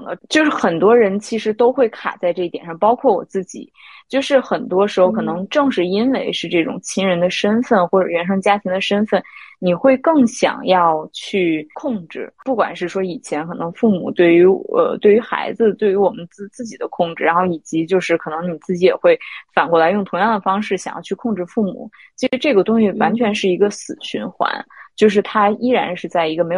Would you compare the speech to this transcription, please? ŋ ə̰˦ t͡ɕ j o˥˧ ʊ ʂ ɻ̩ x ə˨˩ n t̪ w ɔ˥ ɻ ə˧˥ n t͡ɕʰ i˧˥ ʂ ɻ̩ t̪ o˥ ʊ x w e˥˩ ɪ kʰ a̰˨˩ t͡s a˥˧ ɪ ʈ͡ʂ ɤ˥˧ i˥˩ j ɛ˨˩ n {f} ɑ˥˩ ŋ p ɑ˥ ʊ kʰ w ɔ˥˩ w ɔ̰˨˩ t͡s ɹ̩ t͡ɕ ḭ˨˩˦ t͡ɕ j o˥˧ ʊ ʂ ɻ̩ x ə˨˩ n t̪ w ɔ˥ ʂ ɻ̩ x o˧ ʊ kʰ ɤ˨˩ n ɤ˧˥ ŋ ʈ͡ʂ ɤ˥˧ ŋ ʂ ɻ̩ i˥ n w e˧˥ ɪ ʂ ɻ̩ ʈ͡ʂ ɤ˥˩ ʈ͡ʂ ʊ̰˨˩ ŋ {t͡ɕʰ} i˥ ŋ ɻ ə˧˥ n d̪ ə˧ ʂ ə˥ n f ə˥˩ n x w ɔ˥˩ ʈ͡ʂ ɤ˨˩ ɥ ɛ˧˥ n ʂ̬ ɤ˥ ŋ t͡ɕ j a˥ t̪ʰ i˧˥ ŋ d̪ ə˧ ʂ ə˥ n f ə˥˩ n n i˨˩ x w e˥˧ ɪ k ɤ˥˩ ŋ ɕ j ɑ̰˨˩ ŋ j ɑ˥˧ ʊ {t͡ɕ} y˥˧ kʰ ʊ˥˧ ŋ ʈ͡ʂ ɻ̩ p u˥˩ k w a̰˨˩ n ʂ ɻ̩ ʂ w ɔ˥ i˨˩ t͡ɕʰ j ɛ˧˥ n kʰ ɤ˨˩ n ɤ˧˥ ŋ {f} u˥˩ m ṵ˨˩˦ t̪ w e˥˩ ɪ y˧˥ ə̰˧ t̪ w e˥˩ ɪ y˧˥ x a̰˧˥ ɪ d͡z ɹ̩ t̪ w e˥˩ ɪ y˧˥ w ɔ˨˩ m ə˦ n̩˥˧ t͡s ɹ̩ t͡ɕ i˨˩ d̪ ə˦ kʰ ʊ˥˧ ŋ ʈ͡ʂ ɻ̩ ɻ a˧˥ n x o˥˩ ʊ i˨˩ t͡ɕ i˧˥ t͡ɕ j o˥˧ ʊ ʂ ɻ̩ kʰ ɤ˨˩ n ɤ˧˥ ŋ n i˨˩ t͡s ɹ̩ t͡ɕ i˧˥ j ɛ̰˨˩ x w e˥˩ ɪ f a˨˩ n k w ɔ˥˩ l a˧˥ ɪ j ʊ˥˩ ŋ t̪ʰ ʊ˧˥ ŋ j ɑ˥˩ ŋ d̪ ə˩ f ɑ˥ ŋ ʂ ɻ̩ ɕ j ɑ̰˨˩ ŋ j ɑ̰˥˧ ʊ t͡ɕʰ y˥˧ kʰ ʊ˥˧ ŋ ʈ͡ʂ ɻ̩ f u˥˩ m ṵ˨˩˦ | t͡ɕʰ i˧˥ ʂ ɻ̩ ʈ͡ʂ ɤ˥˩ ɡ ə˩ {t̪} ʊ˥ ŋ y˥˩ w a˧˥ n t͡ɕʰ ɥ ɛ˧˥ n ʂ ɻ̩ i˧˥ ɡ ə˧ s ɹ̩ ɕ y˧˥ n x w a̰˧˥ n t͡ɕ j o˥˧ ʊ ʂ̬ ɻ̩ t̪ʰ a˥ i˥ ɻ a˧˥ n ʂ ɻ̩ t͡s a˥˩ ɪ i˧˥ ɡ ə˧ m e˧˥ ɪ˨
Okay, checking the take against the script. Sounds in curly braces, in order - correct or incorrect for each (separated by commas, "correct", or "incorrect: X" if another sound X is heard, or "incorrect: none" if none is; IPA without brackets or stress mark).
incorrect: ʂ, correct, incorrect: t͡ɕʰ, correct, correct